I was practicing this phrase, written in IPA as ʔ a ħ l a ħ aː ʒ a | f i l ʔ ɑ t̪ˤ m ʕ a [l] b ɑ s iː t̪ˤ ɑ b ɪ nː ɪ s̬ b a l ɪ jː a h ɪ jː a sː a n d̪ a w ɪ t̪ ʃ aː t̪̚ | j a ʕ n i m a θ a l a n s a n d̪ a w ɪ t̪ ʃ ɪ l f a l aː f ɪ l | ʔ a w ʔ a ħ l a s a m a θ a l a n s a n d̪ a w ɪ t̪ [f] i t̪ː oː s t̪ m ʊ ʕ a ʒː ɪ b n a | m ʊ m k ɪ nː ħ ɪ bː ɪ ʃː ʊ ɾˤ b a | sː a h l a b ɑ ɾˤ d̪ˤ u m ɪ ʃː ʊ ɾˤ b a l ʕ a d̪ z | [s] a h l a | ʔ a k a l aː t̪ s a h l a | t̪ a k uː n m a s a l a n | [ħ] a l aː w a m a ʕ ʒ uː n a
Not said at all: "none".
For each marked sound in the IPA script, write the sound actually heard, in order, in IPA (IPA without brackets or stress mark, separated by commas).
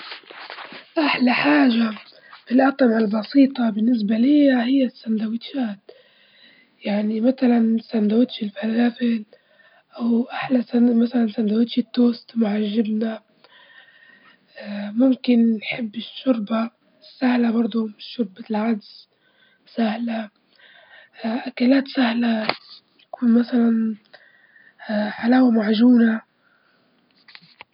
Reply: l, ʃ, s, ħ